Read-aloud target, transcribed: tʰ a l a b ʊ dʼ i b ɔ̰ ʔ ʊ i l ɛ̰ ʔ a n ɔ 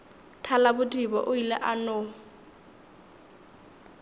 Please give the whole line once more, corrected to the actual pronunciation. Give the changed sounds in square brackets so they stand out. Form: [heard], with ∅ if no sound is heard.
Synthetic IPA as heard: tʰ a l a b ʊ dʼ i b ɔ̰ ʔ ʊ i l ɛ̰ ʔ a n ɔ